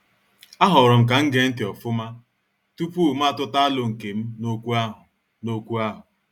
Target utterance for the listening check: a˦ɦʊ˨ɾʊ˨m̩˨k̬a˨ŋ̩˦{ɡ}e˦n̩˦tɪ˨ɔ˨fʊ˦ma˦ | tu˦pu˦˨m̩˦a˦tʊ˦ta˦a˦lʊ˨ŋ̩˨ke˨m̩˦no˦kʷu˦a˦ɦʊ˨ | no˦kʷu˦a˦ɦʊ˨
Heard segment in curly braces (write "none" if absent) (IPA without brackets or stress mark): ɡ